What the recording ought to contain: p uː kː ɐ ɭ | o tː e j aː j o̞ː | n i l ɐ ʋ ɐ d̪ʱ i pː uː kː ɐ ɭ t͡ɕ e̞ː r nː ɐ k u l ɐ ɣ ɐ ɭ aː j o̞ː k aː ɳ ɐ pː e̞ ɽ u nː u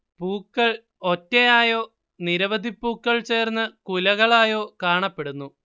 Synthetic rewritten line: p uː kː ɐ ɭ | o tː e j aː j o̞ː | n i ɾ ɐ ʋ ɐ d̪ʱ i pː uː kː ɐ ɭ t͡ɕ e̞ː r nː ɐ k u l ɐ ɣ ɐ ɭ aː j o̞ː k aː ɳ ɐ pː e̞ ɽ u nː u